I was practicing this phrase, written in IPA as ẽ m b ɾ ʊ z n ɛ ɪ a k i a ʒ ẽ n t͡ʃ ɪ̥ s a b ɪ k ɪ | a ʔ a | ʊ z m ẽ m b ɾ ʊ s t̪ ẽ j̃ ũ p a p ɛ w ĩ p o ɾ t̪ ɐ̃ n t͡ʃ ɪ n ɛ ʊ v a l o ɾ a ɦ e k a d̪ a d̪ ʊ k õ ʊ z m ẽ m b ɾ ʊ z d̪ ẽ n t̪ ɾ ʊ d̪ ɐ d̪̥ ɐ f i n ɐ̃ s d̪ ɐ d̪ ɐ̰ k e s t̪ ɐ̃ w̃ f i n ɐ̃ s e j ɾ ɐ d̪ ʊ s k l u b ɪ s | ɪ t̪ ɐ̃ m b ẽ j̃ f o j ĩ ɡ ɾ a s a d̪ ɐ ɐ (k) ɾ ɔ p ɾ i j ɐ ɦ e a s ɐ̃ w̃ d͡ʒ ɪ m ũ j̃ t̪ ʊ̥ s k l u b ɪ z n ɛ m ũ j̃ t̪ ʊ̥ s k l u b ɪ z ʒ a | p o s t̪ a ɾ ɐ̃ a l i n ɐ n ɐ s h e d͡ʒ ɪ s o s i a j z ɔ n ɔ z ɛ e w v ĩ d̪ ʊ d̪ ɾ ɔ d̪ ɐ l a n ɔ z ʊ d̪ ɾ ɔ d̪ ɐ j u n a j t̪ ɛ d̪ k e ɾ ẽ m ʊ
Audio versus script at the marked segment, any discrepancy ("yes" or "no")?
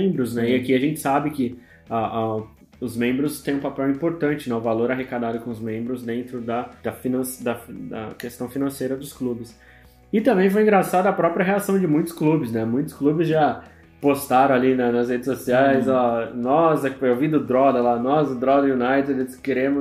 yes